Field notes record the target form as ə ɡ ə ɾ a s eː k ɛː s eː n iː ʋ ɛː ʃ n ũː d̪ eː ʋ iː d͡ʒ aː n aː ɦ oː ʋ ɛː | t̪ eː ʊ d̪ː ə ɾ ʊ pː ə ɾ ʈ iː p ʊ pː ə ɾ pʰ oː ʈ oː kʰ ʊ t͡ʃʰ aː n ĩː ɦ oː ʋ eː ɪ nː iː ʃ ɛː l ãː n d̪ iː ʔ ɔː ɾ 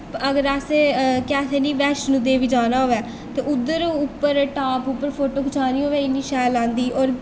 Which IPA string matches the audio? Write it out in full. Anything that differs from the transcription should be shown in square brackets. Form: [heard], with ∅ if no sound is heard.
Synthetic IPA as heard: ə ɡ ə ɾ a s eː k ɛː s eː n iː ʋ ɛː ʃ n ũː d̪ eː ʋ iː d͡ʒ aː n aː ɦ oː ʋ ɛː | t̪ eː ʊ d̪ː ə ɾ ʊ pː ə ɾ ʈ [aː] p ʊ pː ə ɾ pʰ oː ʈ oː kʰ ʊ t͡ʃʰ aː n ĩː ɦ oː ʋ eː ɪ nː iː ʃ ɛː l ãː n d̪ iː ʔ ɔː ɾ